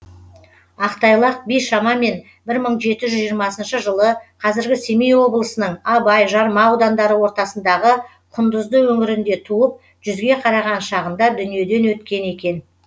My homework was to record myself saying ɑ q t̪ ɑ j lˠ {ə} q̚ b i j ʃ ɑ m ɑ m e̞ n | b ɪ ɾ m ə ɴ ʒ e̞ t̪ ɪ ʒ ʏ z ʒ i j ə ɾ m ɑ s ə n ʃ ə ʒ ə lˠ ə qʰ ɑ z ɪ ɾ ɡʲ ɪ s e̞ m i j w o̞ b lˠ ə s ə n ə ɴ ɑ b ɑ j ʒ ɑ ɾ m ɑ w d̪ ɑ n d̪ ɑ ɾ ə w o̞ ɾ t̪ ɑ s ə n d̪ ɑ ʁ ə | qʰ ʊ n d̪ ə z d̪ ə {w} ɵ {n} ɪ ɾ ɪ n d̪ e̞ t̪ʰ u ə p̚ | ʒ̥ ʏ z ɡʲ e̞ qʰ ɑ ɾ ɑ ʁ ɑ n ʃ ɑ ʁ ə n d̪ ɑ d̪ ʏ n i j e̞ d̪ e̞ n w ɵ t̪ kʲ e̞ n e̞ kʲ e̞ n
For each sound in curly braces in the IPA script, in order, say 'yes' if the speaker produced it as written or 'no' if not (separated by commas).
no, yes, no